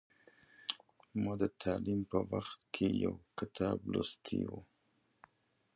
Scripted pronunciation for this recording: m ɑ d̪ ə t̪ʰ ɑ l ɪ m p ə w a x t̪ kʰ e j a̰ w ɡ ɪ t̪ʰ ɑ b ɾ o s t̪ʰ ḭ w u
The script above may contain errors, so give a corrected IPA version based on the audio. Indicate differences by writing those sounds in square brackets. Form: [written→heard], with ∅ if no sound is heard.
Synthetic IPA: m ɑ d̪ ə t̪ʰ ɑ l [ɪ→i] m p ə w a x t̪ kʰ e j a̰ w [ɡ→k] ɪ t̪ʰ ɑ b [ɾ→l] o s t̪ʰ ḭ w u